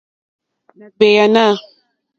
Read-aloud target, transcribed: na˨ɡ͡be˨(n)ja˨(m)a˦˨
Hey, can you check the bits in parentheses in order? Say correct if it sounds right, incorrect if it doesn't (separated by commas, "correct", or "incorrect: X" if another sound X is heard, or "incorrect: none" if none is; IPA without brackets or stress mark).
incorrect: none, incorrect: n